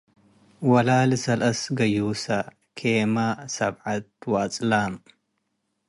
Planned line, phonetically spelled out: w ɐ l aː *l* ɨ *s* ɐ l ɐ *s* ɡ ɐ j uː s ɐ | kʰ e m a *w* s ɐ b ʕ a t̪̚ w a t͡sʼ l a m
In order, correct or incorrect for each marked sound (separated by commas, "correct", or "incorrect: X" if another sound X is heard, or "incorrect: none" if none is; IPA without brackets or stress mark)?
correct, correct, correct, incorrect: none